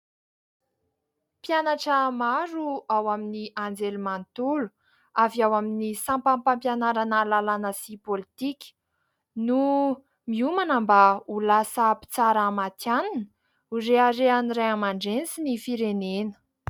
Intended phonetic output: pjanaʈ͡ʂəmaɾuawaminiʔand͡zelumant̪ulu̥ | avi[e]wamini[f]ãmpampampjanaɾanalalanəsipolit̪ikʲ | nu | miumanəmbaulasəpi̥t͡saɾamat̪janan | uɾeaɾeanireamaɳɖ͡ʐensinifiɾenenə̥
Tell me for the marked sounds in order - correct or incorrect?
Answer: incorrect, incorrect

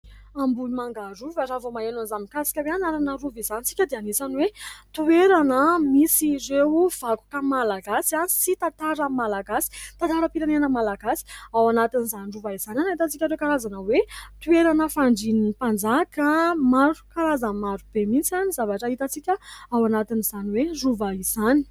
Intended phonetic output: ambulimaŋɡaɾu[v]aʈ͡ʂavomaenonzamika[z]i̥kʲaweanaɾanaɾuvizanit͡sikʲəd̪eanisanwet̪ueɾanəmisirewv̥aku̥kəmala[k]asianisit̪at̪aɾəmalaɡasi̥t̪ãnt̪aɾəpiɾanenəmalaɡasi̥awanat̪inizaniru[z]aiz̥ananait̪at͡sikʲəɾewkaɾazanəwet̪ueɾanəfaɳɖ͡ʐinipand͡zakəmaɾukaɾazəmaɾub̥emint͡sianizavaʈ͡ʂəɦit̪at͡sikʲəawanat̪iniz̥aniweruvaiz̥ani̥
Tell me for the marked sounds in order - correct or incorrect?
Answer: correct, incorrect, incorrect, incorrect

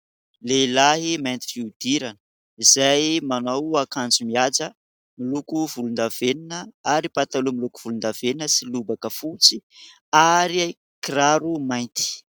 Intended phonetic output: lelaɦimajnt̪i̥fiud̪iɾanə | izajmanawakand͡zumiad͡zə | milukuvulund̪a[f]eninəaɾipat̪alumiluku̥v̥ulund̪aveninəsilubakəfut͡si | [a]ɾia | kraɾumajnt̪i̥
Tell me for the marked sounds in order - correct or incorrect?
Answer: incorrect, correct

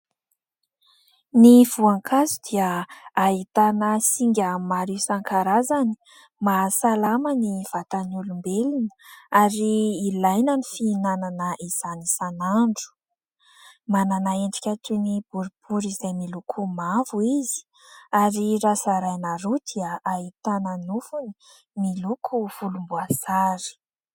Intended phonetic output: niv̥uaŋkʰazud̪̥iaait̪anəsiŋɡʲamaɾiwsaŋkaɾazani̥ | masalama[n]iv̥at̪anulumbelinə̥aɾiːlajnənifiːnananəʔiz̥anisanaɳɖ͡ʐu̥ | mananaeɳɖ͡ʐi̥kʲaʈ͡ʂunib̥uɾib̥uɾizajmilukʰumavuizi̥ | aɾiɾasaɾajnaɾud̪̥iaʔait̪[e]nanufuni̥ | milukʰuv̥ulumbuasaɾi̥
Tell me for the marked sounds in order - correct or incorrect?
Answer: correct, incorrect

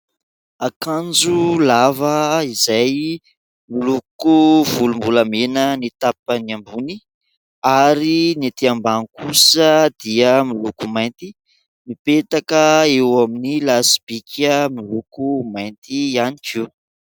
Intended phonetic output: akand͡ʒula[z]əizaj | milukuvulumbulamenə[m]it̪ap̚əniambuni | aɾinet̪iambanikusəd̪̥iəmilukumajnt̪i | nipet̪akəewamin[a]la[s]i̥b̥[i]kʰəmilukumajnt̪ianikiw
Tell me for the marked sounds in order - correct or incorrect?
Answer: incorrect, incorrect, incorrect, correct, correct

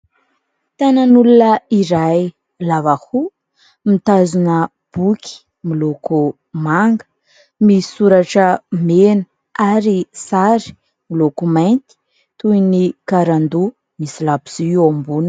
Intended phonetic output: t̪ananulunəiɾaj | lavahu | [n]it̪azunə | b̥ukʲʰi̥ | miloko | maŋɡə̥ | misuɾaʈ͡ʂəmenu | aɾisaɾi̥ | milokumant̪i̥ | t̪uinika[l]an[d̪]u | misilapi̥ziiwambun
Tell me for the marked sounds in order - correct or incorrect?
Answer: incorrect, incorrect, correct

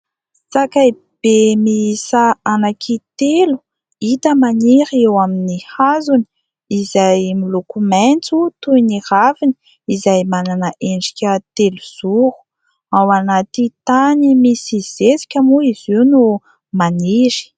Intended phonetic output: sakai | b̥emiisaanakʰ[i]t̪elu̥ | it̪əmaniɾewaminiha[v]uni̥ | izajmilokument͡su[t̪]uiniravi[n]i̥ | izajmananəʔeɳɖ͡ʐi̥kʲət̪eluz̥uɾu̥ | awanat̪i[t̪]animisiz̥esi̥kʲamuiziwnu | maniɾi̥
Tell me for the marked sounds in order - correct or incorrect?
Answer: correct, incorrect, correct, correct, correct

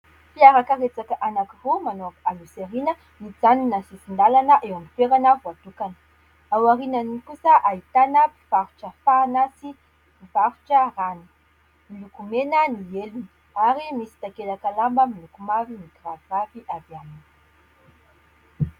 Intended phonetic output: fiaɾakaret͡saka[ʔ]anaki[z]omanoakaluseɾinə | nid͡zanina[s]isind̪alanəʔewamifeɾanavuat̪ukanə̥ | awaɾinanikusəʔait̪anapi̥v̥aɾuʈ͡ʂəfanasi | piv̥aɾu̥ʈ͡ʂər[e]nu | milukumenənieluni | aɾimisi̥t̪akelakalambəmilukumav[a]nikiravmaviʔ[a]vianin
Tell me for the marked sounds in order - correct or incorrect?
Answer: correct, incorrect, correct, incorrect, incorrect, correct

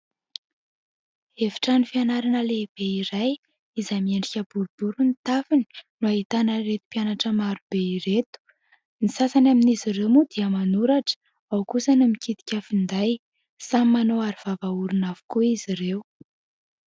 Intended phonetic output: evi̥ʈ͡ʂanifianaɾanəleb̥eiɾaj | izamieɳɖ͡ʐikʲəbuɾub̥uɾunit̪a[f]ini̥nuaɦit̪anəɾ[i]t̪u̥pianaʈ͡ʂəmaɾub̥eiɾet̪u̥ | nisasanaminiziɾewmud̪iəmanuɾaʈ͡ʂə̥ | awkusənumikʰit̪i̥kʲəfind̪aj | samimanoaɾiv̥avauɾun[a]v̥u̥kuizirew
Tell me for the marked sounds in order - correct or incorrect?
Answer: correct, incorrect, correct

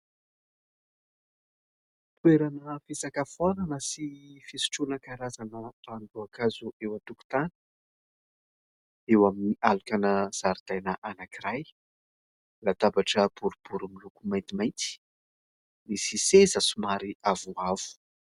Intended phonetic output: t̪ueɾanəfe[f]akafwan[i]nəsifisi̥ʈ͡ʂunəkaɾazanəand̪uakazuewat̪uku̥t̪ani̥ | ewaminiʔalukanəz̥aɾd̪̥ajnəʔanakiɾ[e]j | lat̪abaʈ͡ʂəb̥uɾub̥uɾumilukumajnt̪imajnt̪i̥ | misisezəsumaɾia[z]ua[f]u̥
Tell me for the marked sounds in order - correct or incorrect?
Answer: incorrect, incorrect, incorrect, incorrect, incorrect

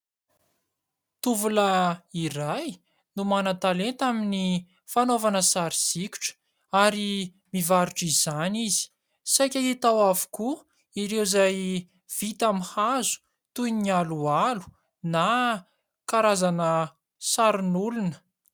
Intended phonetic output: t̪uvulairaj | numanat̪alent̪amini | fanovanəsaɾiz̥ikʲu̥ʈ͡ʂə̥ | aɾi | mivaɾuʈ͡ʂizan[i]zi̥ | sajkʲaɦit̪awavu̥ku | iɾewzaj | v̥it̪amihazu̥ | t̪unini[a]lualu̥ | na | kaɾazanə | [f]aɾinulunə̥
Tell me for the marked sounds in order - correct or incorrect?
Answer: correct, correct, incorrect

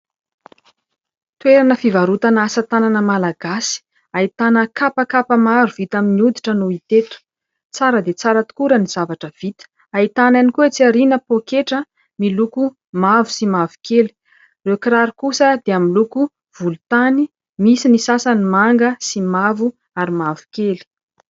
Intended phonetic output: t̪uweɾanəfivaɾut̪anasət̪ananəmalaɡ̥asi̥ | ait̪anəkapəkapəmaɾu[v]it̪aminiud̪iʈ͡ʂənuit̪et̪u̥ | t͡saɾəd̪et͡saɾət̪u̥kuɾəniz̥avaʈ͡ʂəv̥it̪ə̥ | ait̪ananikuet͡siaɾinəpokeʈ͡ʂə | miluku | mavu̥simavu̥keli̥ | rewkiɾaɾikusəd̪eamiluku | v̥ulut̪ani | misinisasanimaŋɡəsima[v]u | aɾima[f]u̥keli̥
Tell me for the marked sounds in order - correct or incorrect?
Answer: correct, correct, incorrect

